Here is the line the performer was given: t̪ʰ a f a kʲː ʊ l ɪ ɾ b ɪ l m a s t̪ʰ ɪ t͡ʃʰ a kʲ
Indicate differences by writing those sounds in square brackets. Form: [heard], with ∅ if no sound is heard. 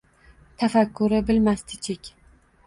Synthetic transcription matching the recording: t̪ʰ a f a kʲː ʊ [ɾ] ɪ [∅] b ɪ l m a s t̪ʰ ɪ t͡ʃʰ [e] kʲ